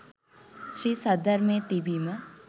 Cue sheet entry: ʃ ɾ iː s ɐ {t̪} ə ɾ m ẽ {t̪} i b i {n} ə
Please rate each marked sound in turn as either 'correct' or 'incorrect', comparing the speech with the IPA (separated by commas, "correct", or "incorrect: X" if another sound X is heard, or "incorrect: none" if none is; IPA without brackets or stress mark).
incorrect: d̪, correct, incorrect: m